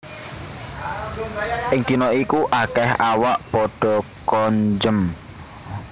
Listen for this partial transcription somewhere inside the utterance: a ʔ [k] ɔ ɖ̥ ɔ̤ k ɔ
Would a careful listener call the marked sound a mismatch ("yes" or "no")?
yes